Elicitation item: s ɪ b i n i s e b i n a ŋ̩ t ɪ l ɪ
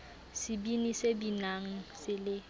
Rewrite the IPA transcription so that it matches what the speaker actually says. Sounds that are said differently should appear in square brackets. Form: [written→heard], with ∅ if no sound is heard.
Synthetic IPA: s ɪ b i n i s e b i n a ŋ̩ [t→s] ɪ l ɪ